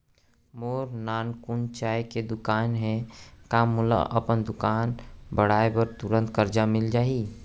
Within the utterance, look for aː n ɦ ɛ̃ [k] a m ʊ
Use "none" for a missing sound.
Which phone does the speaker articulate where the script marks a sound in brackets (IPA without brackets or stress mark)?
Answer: k